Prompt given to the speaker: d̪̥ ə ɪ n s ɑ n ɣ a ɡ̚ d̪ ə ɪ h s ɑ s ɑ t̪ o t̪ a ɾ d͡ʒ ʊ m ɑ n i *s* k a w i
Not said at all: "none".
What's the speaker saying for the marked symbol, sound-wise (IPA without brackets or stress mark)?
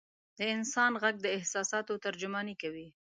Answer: none